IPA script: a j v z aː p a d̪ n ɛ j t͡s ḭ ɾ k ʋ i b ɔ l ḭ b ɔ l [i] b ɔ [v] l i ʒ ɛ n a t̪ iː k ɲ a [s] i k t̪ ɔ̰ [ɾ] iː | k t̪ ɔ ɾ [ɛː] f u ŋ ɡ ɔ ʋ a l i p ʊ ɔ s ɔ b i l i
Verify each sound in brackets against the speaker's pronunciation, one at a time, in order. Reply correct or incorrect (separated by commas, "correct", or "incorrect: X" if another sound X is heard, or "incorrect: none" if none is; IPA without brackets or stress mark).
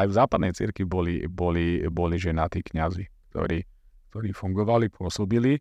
correct, incorrect: none, incorrect: z, correct, incorrect: iː